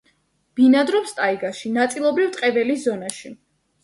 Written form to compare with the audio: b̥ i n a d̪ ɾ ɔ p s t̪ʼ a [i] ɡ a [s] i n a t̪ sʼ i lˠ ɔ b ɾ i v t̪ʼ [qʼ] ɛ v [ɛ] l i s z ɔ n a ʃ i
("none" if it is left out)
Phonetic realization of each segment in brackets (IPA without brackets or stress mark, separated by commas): i, ʃ, qʼ, ɛ